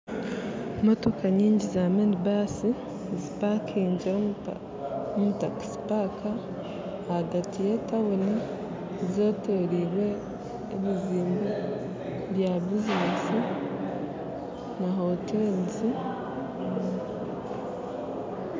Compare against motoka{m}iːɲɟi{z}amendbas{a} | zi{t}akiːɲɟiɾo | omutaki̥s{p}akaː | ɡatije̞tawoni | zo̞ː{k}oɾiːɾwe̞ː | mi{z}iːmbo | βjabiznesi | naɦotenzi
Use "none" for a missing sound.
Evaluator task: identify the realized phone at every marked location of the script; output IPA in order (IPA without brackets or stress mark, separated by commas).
ɲ, z, i, p, p, t, z